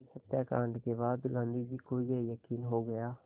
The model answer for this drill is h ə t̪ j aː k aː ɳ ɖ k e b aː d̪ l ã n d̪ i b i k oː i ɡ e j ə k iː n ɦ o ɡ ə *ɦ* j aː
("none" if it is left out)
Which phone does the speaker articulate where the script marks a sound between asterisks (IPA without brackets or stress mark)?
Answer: none